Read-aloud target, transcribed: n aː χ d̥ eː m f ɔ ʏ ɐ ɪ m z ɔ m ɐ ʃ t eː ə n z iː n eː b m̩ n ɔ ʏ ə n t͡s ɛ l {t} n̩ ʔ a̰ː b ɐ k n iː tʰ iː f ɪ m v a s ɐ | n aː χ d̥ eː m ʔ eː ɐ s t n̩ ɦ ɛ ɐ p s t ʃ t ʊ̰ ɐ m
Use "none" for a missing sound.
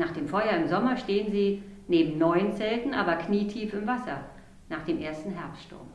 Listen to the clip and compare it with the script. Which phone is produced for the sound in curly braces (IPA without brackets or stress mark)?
t